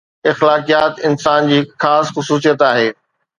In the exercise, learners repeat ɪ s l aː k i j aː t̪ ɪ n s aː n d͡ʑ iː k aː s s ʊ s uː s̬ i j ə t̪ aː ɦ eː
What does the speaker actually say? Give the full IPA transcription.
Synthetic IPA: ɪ x l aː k i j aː t̪ ɪ n s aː n d͡ʑ iː x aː s x ʊ s uː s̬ i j ə t̪ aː ɦ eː